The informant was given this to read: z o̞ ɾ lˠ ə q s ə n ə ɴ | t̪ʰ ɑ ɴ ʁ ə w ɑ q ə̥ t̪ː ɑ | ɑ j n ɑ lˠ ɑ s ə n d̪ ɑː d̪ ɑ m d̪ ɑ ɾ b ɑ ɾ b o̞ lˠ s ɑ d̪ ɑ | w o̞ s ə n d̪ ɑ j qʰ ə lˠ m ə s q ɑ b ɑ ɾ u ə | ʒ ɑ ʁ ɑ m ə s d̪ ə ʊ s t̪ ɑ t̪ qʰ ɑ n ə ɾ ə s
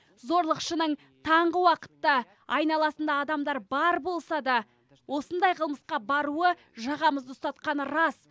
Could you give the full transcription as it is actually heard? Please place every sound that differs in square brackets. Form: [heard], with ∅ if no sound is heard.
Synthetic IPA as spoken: z o̞ ɾ lˠ ə q [ʃ] ə n ə ɴ | t̪ʰ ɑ ɴ ʁ ə w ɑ q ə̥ t̪ː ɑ | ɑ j n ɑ lˠ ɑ s ə n d̪ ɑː d̪ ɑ m d̪ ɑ ɾ b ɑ ɾ b o̞ lˠ s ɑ d̪ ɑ | w o̞ s ə n d̪ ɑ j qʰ ə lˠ m ə s q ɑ b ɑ ɾ u ə | ʒ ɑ ʁ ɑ m ə [z] d̪ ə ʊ s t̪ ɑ t̪ [q] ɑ n ə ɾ [ɑ] s

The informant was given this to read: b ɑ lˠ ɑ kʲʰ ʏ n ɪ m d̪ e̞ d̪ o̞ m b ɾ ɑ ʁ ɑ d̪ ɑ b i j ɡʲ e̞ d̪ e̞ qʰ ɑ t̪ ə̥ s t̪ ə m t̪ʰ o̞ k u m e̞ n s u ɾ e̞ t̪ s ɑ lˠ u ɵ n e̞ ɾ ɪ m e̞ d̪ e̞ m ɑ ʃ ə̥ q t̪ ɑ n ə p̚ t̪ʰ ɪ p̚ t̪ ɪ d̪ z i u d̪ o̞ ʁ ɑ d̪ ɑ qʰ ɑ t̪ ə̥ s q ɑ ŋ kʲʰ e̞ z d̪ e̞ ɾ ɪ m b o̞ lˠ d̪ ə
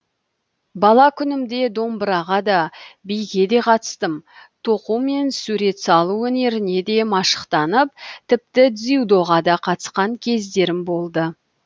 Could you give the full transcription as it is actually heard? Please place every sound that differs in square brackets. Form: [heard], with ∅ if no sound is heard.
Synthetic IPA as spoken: b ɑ lˠ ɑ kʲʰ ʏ n ɪ m d̪ e̞ d̪ o̞ m b ɾ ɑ ʁ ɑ d̪ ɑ b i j ɡʲ e̞ d̪ e̞ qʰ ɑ t̪ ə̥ s t̪ ə m t̪ʰ o̞ [q] u m e̞ n s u ɾ e̞ t̪ s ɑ lˠ u ɵ n e̞ ɾ ɪ [n] e̞ d̪ e̞ m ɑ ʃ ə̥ q t̪ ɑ n ə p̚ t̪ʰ ɪ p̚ t̪ ɪ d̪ z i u d̪ o̞ ʁ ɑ d̪ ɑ qʰ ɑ t̪ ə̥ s q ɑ ŋ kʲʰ e̞ z d̪ e̞ ɾ ɪ m b o̞ lˠ d̪ ə

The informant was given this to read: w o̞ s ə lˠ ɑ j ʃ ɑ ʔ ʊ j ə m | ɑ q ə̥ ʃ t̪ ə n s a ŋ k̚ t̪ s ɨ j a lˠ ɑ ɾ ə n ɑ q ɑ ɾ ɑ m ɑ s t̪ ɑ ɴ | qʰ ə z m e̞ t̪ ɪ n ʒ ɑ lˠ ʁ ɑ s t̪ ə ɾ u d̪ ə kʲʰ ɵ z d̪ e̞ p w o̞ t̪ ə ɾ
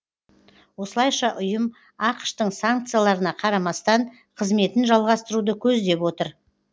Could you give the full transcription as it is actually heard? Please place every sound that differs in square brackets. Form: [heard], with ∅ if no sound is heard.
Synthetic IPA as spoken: w o̞ s ə lˠ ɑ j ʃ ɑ ʔ ʊ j ə m | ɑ q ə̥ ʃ t̪ ə [ɴ] s a ŋ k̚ t̪ s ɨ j a lˠ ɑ ɾ ə n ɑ [qʰ] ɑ ɾ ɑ m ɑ s t̪ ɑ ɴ | qʰ ə z m e̞ t̪ ɪ n ʒ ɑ lˠ ʁ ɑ s t̪ ə ɾ u d̪ ə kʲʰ ɵ z d̪ e̞ p w o̞ t̪ ə ɾ

